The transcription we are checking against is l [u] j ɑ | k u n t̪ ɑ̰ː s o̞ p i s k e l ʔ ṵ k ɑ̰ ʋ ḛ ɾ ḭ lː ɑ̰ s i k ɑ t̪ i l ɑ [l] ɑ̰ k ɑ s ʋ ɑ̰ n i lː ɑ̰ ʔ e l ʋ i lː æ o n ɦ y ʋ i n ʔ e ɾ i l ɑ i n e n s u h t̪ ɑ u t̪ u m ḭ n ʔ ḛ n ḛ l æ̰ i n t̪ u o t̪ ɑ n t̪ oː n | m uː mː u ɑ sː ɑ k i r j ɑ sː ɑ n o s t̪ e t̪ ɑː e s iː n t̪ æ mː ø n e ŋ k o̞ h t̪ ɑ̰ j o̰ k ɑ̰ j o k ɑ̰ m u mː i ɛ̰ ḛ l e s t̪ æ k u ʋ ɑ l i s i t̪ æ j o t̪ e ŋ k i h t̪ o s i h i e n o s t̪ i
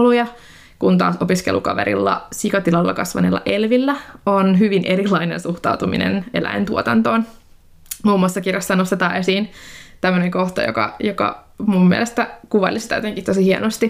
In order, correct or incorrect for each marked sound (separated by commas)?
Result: correct, incorrect